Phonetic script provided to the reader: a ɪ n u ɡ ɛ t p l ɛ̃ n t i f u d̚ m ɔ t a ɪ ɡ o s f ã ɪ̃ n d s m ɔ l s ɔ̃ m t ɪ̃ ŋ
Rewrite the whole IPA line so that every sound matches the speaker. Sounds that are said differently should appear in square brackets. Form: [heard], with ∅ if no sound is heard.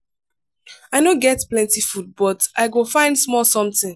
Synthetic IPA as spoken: a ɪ n [o] ɡ ɛ t p l ɛ̃ n t i f u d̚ [b] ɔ t a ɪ ɡ o [∅] f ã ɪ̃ n d s m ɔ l s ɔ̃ m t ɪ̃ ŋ

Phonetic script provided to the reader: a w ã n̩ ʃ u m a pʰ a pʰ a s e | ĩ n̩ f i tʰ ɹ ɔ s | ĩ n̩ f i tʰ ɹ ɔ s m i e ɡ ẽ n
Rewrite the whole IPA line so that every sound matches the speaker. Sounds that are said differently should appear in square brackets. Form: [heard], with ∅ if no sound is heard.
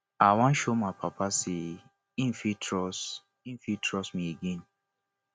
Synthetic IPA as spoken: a w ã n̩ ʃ [o] m a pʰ a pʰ a s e | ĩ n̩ f i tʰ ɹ ɔ s | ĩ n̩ f i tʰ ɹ ɔ s m i e ɡ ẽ n

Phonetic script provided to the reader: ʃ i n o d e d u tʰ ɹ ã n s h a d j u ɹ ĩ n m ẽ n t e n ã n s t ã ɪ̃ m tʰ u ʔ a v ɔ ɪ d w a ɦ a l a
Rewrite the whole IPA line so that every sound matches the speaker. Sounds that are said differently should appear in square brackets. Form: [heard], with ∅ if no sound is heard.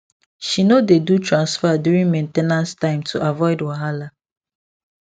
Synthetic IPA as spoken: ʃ i n o d e d u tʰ ɹ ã n s [f] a d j u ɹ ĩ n m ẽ n t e n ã n s t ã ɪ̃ m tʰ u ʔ a v ɔ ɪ d w a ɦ a l a

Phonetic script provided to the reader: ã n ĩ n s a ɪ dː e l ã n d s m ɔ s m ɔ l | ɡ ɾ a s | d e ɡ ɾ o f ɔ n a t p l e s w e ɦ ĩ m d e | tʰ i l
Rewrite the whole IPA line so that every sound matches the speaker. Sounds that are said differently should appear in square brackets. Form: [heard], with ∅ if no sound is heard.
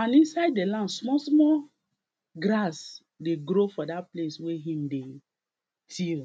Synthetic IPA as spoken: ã n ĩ n s a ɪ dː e l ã n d s m ɔ s m ɔ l | ɡ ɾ a s | d e ɡ ɾ o f ɔ [d] a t p l e s w e ɦ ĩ m d e | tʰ i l

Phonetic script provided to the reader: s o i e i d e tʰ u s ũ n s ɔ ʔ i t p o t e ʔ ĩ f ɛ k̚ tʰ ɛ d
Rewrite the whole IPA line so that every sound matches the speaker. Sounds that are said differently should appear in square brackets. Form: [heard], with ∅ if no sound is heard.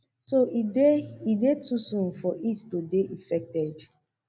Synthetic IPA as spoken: s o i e i d e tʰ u s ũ n [f] ɔ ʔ i t [t] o [d] e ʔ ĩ f ɛ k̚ [t] ɛ d

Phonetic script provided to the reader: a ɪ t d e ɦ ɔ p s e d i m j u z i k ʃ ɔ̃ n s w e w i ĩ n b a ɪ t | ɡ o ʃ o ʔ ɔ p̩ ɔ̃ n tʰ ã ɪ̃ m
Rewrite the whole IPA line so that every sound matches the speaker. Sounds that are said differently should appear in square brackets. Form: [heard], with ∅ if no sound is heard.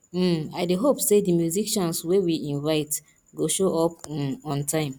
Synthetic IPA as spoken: a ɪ [∅] d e ɦ [o] p s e d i m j u z i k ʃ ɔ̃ n s w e w i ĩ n [v] a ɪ t | ɡ o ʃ o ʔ ɔ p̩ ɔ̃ n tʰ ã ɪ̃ m

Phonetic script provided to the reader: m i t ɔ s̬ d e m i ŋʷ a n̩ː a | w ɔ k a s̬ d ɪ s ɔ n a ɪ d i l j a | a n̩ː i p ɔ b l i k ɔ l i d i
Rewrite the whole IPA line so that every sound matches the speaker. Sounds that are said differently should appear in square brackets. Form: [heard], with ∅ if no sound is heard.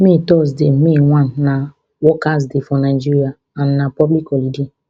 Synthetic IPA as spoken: m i t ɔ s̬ d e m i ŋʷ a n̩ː a | w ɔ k a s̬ d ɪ [f] ɔ n a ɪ [d͡ʒ] i [ɾ] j a | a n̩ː [a] p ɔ b l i k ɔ l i d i

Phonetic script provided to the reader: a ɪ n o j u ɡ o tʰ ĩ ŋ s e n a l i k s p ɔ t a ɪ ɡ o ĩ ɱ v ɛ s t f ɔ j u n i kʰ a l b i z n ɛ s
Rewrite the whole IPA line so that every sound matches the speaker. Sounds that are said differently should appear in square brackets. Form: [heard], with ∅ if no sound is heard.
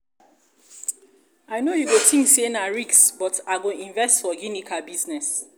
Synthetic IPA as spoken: a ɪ n o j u ɡ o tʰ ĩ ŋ s e n a [ɹ] i k s [b] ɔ t a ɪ ɡ o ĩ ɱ v ɛ s t f ɔ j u n i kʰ a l b i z n ɛ s

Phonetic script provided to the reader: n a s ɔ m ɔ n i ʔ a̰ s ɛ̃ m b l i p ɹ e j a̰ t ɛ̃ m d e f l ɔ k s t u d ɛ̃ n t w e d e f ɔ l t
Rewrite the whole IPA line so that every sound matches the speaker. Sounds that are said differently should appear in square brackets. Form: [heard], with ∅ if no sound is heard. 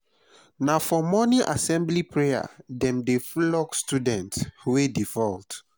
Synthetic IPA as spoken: n a [f] ɔ m ɔ n i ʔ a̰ s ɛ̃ m b l i p ɹ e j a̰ [d] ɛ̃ m d e f l ɔ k s t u d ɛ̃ n t w e d [i] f ɔ l t

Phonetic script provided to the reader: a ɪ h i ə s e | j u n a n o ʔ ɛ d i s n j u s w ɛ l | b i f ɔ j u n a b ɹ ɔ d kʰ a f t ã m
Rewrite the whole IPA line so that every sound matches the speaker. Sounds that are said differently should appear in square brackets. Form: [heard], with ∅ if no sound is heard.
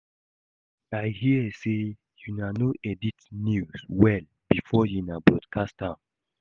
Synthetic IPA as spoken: a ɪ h i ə s e | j u n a n o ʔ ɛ d i [t] n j u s w ɛ l | b i f ɔ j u n a b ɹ ɔ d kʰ a [s] t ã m

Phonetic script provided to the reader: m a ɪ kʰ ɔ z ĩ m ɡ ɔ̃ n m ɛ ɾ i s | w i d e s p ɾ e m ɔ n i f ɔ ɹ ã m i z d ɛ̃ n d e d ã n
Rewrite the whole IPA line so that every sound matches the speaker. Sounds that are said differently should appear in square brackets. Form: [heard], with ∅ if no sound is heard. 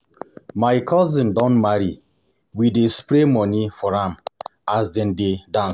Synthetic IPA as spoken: m a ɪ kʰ ɔ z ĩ m [d] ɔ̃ n m [a] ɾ i [∅] | w i d e s p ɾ e m ɔ n i f ɔ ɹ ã m [a] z d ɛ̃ n d e d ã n

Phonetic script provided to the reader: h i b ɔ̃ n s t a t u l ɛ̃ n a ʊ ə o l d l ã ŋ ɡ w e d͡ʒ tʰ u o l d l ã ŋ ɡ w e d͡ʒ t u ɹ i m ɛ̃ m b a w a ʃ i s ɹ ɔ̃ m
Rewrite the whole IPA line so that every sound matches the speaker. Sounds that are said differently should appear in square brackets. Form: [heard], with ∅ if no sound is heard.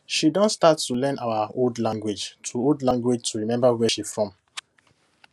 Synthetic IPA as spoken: [ʃ] i [d] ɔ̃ n s t a t u l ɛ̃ n a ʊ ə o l d l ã ŋ ɡ w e d͡ʒ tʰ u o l d l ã ŋ ɡ w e d͡ʒ t u ɹ i m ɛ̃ m b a w [ɛ] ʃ i [f] ɹ ɔ̃ m

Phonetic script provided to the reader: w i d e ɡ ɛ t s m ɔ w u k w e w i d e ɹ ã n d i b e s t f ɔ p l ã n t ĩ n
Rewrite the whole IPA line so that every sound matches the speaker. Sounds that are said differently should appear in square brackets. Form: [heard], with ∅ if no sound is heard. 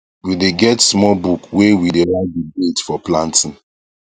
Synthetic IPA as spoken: w i d e ɡ ɛ t s m ɔ [b] u k w e w i d e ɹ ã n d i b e [∅] t f ɔ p l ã n t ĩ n

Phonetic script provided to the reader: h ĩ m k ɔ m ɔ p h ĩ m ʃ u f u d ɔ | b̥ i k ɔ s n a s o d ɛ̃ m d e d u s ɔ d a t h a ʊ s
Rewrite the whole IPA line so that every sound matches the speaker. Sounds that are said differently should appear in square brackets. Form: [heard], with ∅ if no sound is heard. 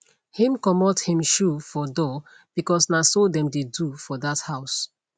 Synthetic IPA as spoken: h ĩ m k ɔ m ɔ [t] h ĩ m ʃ u f [ɔ] d ɔ | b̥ i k ɔ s n a s o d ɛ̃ m d e d u [f] ɔ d a t h a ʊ s

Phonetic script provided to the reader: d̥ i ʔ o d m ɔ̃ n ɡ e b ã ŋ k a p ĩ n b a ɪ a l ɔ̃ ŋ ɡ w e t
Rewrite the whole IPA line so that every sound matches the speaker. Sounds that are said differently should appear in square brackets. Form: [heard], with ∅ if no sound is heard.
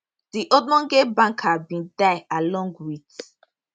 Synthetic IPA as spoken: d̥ i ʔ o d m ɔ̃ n ɡ e b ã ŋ k a [b] ĩ n [d] a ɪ a l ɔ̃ ŋ ɡ w [i] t

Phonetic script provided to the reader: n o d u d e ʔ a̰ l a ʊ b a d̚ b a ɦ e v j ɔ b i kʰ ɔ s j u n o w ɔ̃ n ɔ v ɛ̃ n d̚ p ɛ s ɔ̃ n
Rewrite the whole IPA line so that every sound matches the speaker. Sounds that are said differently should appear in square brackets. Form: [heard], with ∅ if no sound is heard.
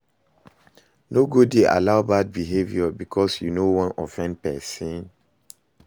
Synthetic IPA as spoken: n o [ɡ] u d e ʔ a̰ l a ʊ b a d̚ b [i] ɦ e v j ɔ b i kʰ ɔ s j u n o w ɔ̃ n ɔ [f] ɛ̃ n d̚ p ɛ s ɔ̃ n

